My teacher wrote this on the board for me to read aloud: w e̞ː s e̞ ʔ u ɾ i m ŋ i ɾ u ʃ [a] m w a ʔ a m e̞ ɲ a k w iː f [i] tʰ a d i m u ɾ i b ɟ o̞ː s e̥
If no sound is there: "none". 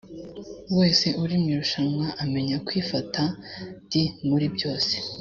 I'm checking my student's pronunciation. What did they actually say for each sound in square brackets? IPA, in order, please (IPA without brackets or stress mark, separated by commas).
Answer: a, a